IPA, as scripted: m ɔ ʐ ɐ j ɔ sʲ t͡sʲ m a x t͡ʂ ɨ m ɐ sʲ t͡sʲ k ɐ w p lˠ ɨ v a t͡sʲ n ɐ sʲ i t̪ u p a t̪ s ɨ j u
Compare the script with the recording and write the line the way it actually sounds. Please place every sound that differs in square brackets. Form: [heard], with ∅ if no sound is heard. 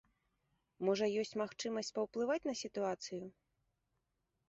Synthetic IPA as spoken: m ɔ ʐ ɐ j ɔ sʲ t͡sʲ m a x t͡ʂ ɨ m ɐ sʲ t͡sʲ [p] ɐ w p lˠ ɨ v a t͡sʲ n ɐ sʲ i t̪ u [∅] a t̪ s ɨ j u